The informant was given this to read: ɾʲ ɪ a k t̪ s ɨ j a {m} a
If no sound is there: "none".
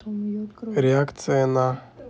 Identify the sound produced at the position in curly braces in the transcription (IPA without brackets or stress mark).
n